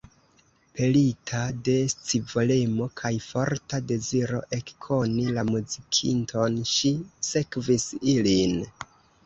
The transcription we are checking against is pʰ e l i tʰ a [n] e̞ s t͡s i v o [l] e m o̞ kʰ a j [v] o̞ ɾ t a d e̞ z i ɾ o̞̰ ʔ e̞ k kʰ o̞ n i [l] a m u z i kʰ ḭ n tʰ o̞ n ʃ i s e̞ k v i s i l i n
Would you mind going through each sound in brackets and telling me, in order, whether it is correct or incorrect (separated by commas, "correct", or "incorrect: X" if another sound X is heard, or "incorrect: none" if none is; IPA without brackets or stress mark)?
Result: incorrect: d, correct, incorrect: f, correct